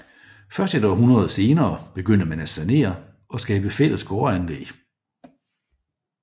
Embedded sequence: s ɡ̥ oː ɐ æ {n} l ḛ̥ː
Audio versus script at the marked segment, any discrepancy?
no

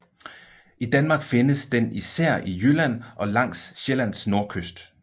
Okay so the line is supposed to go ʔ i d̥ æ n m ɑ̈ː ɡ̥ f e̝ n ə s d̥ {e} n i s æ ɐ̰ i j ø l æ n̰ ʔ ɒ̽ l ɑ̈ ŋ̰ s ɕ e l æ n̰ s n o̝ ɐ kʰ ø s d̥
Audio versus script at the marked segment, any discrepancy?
no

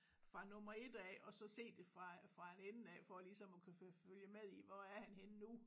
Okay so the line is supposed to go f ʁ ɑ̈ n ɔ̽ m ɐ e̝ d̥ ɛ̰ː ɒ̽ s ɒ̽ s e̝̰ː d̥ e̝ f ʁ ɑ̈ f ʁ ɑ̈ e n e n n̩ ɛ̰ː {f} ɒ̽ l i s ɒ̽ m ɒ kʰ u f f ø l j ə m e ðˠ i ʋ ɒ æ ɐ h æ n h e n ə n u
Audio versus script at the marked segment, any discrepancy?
no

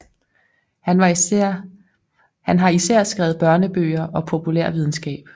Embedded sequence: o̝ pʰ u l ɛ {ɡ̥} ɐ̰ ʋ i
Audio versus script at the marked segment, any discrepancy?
yes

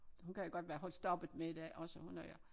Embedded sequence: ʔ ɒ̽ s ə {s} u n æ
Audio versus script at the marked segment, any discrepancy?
yes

